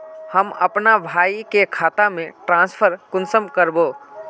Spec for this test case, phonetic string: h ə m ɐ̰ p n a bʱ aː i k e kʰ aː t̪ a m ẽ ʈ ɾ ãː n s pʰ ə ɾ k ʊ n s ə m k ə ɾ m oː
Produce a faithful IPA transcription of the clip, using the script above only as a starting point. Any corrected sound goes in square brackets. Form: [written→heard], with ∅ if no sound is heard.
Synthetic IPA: h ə m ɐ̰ p n a bʱ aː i k e kʰ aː t̪ a m ẽ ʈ ɾ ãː n s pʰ ə ɾ k ʊ n s ə m k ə ɾ [m→b] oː